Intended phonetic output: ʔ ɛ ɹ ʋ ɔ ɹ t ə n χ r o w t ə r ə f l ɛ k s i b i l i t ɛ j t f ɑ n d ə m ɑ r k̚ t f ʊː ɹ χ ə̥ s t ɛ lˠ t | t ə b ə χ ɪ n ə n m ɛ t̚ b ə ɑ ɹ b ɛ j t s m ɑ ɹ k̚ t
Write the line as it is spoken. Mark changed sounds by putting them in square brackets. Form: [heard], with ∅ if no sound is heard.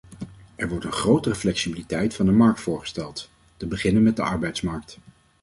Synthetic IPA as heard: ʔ ɛ ɹ ʋ ɔ ɹ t ə n χ r o w t ə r ə f l ɛ k s i b i l i t ɛ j t f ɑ n d ə m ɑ [ɹ] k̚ t f ʊː ɹ χ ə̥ s t ɛ lˠ t | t ə b ə χ ɪ n ə n m ɛ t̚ [d] ə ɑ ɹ b ɛ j t s m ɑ ɹ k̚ t